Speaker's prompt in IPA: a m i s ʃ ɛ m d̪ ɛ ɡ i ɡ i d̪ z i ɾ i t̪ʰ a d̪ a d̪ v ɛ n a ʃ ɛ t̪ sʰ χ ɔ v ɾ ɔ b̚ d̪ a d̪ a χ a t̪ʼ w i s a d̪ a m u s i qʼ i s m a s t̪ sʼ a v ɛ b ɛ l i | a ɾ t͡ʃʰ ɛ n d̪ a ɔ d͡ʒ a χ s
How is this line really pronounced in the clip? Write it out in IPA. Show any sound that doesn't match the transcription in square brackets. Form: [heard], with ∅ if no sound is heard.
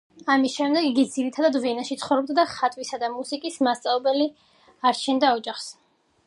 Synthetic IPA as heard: a m i s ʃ ɛ m d̪ ɛ ɡ i ɡ i d̪ z i ɾ i t̪ʰ a d̪ a d̪ v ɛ n a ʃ [i] t̪ sʰ χ ɔ v ɾ ɔ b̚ d̪ a d̪ a χ a t̪ʼ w i s a d̪ a m u s i [kʼ] i s m a s t̪ sʼ a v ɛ b ɛ l i | a ɾ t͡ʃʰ ɛ n d̪ a ɔ d͡ʒ a χ s